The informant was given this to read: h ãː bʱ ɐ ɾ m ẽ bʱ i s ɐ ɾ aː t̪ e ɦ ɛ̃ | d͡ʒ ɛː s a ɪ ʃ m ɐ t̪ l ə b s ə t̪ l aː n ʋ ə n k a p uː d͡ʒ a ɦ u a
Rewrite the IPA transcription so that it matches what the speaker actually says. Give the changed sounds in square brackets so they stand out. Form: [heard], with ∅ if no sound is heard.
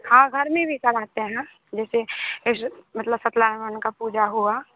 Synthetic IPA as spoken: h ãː [ɡʱ] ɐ ɾ m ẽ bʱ i s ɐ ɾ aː t̪ e ɦ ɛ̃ | d͡ʒ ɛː s [e] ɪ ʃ m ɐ t̪ l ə b s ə t̪ l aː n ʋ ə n k a p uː d͡ʒ a ɦ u a